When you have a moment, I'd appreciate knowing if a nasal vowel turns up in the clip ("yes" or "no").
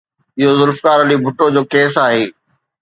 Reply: no